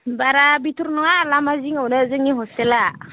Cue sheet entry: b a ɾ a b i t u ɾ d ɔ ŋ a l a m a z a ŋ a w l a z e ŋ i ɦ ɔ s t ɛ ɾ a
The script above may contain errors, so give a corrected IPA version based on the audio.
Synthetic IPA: b a ɾ a b i t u ɾ n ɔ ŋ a l a m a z i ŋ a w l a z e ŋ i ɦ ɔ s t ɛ l a